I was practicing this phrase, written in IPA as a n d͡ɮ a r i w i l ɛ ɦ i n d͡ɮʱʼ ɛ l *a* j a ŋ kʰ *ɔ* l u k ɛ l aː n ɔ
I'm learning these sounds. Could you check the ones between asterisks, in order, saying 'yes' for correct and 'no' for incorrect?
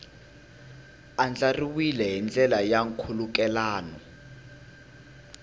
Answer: yes, no

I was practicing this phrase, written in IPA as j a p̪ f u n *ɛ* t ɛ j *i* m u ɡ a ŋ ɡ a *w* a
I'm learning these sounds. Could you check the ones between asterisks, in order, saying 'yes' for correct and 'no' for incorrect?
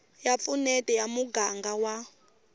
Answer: yes, no, yes

